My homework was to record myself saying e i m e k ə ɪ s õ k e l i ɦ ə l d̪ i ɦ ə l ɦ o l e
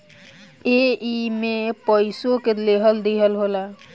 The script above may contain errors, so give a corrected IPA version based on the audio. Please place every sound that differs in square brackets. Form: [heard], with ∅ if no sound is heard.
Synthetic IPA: e i m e [p] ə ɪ s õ k e l [e] ɦ ə l d̪ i ɦ ə l ɦ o l [a]